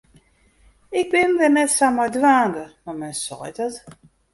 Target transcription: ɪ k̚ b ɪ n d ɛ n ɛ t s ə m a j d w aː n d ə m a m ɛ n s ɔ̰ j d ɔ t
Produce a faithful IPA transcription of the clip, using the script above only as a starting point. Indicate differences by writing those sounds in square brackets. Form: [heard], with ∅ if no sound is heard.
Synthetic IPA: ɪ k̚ b ɪ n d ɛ n ɛ t s [a] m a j d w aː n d ə m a m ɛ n s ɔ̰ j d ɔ t